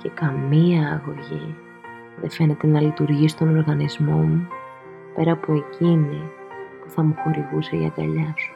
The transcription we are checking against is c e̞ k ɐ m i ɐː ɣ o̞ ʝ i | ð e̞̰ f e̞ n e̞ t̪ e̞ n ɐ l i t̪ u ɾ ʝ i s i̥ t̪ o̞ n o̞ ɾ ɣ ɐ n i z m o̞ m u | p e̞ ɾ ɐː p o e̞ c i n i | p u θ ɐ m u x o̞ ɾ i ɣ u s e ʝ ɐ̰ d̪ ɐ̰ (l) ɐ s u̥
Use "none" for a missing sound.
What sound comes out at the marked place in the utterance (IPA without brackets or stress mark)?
ʎ